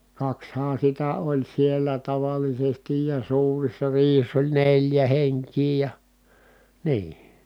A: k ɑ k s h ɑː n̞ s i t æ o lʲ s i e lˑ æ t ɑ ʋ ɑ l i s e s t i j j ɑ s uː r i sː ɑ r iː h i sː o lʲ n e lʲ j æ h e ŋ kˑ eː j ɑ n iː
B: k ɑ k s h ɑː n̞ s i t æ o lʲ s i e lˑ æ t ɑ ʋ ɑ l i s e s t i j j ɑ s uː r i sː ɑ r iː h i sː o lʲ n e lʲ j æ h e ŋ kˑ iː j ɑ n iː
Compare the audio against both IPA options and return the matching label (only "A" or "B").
B